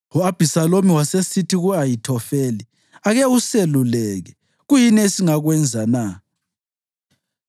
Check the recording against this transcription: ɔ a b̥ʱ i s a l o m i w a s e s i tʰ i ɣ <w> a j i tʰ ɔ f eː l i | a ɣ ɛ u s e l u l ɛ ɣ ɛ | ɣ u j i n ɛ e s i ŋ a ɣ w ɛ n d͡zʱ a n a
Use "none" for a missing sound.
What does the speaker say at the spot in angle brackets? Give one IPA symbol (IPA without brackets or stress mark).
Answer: u